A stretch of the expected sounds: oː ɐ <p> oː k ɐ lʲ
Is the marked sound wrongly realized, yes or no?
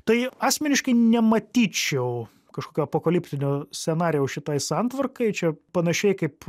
no